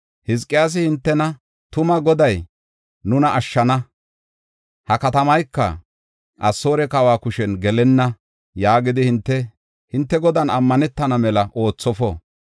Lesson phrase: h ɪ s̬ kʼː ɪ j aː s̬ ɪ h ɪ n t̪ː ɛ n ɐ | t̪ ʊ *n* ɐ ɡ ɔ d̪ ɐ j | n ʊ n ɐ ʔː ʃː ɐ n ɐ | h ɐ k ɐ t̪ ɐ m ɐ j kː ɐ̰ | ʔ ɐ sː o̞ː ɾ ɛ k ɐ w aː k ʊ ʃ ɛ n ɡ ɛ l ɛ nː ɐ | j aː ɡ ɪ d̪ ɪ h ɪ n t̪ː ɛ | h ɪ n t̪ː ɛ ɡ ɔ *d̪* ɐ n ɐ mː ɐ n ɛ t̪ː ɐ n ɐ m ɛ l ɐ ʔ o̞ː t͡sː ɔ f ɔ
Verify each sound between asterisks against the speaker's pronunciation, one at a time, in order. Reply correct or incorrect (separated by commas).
incorrect, correct